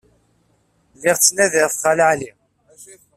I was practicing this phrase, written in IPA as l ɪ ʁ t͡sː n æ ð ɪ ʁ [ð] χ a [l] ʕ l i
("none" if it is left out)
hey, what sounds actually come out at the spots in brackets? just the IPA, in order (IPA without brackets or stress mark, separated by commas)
θ, l